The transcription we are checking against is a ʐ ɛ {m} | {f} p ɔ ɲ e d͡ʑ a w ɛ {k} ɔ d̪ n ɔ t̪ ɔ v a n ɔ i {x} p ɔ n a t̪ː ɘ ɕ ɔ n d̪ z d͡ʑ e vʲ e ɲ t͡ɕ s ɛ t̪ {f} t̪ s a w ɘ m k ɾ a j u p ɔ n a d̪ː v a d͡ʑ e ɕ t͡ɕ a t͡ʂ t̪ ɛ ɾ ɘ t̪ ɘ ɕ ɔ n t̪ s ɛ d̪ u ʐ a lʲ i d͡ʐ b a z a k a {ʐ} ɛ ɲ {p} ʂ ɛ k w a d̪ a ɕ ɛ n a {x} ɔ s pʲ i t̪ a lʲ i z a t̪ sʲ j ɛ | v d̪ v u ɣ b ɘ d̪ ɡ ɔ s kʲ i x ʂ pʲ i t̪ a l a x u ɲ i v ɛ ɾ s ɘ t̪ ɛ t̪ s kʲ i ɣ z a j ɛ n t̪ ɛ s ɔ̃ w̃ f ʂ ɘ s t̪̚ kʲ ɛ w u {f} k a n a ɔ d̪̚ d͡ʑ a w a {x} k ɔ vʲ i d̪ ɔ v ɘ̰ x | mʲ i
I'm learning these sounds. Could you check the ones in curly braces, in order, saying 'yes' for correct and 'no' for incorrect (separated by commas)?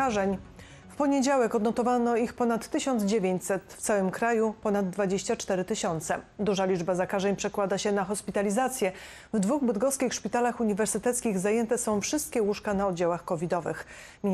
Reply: no, yes, yes, yes, yes, yes, yes, yes, no, yes